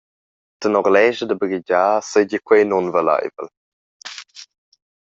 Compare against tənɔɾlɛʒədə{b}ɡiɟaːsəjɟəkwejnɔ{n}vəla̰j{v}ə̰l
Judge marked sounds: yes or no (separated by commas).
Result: yes, yes, yes